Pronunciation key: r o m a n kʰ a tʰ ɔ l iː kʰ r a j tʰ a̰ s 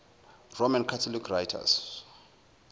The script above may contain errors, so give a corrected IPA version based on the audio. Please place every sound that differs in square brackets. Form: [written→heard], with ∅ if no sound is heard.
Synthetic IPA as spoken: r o m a n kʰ a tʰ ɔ l [iː→i] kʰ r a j tʰ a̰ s